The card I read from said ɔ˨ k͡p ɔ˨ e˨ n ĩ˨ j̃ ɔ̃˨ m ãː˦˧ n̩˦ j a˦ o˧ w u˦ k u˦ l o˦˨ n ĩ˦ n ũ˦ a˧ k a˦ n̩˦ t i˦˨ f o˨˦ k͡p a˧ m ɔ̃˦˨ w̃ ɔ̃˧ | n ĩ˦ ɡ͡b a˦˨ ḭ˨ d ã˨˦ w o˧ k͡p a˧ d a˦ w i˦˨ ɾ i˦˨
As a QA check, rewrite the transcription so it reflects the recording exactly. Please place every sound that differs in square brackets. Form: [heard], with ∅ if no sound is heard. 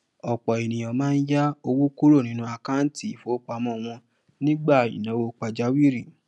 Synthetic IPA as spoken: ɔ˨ k͡p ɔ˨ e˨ n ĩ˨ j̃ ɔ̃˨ m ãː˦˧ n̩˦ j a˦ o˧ w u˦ k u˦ [ɾ] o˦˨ n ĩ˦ n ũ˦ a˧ k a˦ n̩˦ t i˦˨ f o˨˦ k͡p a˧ m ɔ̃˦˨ w̃ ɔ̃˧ | n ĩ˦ ɡ͡b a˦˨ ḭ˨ [n] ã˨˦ w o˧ k͡p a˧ [d͡ʒ] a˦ w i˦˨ ɾ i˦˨

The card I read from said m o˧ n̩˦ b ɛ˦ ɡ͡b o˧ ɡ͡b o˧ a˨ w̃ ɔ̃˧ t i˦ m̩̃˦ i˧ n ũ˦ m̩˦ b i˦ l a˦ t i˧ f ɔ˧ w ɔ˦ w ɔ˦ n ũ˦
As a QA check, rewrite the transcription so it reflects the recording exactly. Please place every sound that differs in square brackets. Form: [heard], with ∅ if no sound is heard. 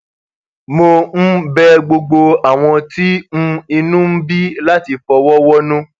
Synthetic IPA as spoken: m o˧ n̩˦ b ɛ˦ ɡ͡b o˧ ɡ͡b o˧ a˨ w̃ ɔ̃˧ t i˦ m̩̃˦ i˧ n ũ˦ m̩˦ b i˦ l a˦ t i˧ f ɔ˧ w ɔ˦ w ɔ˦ n ũ˦

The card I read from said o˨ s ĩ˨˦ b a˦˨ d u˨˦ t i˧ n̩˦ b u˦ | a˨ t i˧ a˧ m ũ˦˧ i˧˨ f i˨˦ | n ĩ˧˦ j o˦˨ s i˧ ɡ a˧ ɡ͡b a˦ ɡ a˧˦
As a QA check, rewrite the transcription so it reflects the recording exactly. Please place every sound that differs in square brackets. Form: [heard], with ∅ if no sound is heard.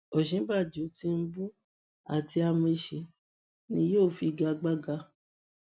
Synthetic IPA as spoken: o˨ [ʃ] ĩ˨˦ b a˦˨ [d͡ʒ] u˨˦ t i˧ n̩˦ b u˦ | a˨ t i˧ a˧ m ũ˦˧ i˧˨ [ʃ] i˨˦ | n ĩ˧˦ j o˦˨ [f] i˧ ɡ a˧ ɡ͡b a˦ ɡ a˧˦

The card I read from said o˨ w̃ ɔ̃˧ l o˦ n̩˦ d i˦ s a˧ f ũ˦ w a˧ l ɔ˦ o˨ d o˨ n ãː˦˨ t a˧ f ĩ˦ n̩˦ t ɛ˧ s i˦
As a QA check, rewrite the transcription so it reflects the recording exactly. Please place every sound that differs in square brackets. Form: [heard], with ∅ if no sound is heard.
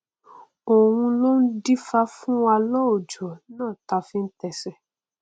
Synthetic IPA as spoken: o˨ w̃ [ũ˧] l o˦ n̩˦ d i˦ [f] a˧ f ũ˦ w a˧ l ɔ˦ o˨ [d͡ʒ] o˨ n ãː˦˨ t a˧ f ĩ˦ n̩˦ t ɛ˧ s [ɛ˦]

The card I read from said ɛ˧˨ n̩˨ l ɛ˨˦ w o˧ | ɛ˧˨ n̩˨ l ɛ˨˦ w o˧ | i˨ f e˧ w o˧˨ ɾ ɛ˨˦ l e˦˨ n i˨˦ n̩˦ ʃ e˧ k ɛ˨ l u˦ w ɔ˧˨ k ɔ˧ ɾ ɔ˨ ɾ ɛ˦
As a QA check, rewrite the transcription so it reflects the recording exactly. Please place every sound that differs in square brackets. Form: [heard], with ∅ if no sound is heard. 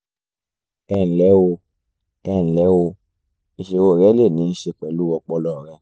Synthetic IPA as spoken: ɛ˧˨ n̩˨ l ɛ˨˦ w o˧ | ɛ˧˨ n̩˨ l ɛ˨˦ w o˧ | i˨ [ʃ] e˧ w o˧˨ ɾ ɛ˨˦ l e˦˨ n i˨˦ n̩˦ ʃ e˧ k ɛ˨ l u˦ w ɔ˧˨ [k͡p] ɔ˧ [l] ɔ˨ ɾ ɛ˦

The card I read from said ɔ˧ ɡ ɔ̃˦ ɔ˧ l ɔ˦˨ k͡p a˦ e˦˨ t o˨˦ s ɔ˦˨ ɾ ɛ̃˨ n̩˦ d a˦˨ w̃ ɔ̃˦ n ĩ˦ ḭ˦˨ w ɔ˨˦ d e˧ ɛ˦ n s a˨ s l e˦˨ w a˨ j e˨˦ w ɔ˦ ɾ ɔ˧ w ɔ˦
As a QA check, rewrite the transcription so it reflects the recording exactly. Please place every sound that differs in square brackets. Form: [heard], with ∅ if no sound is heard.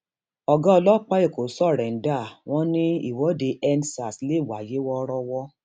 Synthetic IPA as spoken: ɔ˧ ɡ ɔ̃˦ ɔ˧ l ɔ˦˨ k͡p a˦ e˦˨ [k] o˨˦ s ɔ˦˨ ɾ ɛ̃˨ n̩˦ d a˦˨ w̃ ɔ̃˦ n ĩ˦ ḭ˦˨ w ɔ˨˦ d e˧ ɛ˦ n s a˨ s l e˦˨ w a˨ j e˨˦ w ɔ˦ ɾ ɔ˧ w ɔ˦

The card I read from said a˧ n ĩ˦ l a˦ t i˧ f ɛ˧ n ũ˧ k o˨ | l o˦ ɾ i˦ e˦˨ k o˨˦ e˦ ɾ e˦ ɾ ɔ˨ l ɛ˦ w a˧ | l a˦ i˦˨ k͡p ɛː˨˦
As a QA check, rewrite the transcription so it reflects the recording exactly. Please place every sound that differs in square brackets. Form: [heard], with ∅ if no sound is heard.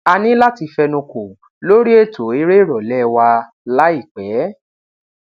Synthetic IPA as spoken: a˧ n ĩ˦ l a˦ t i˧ f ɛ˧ n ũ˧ k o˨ | l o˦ ɾ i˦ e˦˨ [t] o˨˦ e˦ ɾ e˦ ɾ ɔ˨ l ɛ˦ w a˧ | l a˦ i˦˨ k͡p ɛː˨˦

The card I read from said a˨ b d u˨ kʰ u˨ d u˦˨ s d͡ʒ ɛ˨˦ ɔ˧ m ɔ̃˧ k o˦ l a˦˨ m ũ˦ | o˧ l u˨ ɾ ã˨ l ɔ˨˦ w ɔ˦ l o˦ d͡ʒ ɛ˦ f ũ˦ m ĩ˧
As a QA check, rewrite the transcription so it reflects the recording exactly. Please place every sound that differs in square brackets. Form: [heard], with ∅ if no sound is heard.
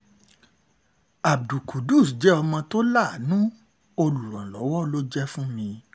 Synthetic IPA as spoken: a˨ b d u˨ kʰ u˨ d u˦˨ s d͡ʒ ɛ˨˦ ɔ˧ m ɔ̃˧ [t] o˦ l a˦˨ [n] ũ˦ | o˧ l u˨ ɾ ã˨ l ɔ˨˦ w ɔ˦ l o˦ d͡ʒ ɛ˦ f ũ˦ m ĩ˧

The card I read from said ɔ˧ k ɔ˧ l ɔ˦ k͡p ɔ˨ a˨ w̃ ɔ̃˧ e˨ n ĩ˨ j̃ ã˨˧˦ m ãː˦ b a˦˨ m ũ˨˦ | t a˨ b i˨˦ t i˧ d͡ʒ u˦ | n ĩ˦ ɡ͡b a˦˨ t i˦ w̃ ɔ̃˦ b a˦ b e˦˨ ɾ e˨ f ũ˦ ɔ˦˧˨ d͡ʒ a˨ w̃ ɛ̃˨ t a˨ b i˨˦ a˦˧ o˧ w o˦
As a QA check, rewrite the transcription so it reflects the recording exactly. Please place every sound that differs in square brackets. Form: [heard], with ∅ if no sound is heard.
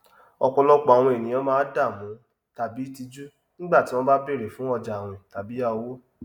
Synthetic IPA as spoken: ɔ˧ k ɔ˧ l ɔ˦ k͡p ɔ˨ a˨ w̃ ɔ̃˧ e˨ n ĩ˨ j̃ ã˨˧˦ m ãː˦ [d] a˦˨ m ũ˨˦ | t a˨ b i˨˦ t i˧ d͡ʒ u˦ | n ĩ˦ ɡ͡b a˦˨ t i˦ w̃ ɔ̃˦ b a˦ b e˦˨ ɾ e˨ f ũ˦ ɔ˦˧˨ d͡ʒ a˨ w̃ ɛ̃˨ t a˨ b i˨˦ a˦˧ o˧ w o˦

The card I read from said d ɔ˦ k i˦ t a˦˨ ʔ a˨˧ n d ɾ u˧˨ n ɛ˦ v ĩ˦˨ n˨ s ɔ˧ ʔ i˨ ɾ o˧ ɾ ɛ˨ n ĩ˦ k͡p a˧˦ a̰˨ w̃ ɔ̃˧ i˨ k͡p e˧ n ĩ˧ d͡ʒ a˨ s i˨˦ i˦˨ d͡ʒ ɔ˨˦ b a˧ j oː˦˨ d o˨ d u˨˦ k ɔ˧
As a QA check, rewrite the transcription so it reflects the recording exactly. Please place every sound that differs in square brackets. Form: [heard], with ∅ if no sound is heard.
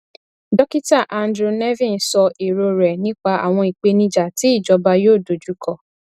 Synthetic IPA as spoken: d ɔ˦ k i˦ t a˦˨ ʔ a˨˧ n d ɾ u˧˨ n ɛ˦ v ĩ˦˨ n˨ s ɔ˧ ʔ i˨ ɾ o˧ ɾ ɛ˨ n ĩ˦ k͡p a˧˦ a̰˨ w̃ ɔ̃˧ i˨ k͡p e˧ n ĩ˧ d͡ʒ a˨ [t] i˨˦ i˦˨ d͡ʒ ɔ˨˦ b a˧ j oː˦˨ d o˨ [d͡ʒ] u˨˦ k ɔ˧

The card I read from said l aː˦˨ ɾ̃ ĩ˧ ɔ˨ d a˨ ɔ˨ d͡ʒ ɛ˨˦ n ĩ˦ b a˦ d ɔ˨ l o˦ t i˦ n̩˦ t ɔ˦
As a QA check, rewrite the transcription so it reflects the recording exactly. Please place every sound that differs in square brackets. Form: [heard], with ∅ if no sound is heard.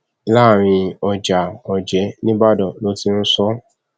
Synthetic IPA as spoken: l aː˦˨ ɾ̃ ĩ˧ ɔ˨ [d͡ʒ] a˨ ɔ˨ d͡ʒ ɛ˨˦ n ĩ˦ b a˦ d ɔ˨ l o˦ t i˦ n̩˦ [s] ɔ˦

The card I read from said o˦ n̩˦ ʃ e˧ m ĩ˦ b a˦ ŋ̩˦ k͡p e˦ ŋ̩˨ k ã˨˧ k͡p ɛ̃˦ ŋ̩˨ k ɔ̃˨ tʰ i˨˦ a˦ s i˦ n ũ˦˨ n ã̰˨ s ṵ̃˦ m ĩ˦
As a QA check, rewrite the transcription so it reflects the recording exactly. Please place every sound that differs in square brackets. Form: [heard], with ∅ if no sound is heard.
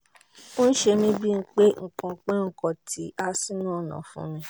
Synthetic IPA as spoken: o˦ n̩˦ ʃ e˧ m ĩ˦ b [i˦] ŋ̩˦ k͡p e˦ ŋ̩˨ k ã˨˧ k͡p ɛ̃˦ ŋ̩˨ k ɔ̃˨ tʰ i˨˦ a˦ s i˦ n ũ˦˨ n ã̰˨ [f] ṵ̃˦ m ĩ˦

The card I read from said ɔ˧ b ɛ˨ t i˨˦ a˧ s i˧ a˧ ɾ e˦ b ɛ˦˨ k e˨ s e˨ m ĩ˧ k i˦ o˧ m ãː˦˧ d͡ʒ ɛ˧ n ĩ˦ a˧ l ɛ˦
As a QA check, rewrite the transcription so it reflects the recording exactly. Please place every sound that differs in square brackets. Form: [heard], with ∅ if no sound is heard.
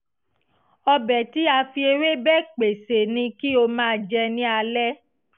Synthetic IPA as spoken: ɔ˧ b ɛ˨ t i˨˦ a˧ [f] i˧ [e˧] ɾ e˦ b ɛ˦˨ [k͡p] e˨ s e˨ [n] ĩ˧ k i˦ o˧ m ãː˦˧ d͡ʒ ɛ˧ n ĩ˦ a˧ l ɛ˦

